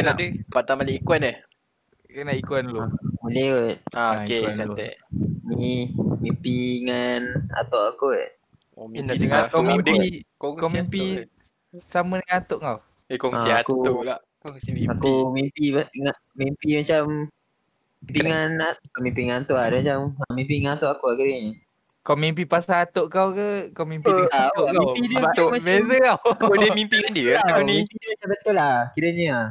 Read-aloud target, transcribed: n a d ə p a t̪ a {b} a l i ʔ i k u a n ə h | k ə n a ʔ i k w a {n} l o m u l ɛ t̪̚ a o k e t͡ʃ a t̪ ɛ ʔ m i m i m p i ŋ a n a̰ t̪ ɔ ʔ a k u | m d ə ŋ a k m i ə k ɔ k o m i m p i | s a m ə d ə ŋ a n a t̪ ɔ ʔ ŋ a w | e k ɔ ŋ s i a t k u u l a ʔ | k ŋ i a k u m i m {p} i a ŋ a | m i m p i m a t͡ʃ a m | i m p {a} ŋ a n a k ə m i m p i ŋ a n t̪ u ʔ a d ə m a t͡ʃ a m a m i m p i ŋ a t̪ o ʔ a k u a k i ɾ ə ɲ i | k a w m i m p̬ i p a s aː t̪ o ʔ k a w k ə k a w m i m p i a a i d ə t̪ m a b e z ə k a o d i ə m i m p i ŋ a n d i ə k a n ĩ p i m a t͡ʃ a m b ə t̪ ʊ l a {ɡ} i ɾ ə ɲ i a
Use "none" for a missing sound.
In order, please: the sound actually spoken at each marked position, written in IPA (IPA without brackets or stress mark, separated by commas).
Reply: m, n, p, i, k